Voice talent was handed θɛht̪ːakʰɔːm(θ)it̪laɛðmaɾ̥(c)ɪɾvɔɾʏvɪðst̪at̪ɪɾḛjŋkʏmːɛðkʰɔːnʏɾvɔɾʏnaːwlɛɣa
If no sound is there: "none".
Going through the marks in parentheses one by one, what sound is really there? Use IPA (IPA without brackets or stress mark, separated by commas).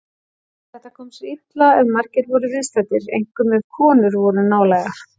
s, c